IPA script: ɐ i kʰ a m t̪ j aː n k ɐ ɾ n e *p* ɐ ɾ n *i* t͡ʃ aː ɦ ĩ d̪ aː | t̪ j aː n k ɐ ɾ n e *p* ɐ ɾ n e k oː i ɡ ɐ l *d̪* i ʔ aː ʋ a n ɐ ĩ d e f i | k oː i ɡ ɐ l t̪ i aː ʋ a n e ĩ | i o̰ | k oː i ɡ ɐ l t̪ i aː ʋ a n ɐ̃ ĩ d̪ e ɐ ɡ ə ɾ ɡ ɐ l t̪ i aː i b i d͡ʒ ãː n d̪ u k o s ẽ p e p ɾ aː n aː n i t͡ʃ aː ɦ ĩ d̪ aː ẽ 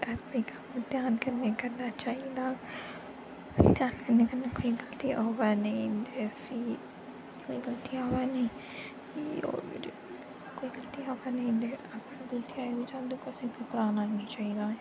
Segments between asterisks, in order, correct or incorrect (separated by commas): incorrect, incorrect, incorrect, incorrect